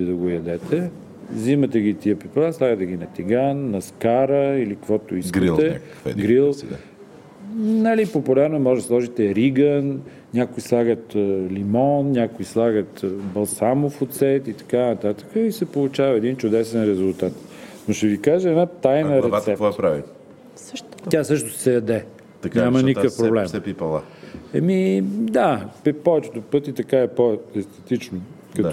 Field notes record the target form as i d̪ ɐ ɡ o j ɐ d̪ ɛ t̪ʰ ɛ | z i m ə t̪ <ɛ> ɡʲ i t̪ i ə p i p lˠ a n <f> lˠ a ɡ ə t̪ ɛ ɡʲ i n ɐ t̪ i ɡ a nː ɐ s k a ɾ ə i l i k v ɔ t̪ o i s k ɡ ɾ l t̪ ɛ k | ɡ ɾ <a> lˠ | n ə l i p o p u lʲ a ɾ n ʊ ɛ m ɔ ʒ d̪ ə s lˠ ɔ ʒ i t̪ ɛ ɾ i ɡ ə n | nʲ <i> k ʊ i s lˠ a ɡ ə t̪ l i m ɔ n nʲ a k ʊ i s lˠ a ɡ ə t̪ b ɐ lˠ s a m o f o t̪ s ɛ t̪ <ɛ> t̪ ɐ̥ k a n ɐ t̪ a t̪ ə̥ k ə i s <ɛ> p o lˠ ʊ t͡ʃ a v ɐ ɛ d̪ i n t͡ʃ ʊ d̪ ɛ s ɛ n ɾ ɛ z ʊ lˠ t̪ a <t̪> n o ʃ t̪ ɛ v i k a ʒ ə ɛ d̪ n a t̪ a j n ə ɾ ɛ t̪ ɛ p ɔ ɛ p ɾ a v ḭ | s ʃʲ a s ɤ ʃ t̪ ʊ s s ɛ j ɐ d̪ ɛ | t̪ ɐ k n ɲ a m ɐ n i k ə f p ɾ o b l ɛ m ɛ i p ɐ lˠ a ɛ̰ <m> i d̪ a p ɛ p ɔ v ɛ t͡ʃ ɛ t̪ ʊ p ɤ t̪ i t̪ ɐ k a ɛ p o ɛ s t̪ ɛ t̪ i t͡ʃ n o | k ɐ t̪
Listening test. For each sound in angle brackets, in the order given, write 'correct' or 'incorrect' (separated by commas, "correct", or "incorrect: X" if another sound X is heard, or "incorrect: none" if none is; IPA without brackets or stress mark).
correct, incorrect: s, incorrect: i, incorrect: a, incorrect: i, correct, correct, correct